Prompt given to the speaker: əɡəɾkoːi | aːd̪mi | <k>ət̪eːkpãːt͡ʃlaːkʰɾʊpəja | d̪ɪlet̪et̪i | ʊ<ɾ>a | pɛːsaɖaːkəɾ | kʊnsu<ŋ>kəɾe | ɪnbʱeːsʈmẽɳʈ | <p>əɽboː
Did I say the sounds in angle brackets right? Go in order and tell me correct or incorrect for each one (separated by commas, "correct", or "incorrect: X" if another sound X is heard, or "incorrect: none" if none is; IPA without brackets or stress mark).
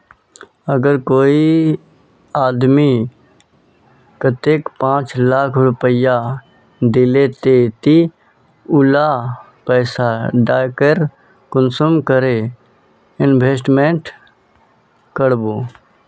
correct, incorrect: l, incorrect: m, incorrect: k